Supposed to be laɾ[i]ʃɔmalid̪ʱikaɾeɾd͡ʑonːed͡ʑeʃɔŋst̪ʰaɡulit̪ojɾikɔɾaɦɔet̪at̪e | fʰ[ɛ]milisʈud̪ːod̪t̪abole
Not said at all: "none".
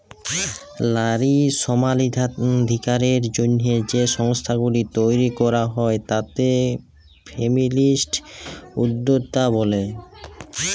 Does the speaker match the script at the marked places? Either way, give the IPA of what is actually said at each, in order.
i, e

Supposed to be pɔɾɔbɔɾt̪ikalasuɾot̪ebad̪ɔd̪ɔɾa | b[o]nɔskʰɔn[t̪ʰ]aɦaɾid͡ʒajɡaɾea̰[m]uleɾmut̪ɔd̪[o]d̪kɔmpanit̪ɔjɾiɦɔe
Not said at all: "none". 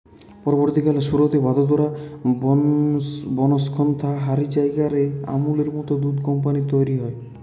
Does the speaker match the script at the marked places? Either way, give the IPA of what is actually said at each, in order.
ɔ, t̪ʰ, m, u

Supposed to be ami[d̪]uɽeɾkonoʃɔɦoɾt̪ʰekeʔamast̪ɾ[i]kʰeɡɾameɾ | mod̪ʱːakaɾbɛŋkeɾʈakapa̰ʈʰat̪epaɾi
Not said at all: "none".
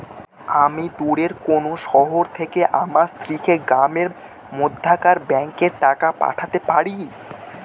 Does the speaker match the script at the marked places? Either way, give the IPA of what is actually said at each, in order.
d̪, i

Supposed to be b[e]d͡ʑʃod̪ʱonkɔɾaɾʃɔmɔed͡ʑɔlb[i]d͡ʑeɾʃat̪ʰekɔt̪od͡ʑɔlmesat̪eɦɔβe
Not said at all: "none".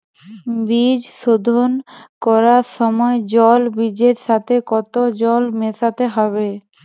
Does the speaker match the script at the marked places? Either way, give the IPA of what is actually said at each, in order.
i, i

